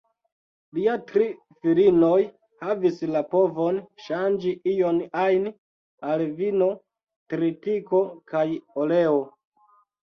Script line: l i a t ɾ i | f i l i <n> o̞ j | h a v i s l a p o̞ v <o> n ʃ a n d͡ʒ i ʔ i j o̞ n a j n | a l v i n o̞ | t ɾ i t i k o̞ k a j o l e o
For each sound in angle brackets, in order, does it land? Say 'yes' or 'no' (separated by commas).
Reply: yes, yes